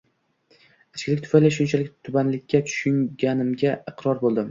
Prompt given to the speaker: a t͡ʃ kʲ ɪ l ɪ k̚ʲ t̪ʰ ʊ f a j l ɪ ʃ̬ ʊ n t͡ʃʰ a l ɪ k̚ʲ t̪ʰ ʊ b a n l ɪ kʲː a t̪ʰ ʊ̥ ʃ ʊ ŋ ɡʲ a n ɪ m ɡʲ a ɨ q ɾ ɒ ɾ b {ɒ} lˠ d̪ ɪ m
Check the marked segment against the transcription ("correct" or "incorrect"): incorrect